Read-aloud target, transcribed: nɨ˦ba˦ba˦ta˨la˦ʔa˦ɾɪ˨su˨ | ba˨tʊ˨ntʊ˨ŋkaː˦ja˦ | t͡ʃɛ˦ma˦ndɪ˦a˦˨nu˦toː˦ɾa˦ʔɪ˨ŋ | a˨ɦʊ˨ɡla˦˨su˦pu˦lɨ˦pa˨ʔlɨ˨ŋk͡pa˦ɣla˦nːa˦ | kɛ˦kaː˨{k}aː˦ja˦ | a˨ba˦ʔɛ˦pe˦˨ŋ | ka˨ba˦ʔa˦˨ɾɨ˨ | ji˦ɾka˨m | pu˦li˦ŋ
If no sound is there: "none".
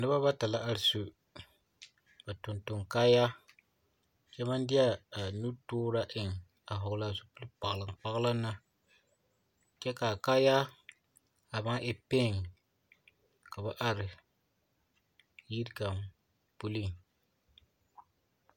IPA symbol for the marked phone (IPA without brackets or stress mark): k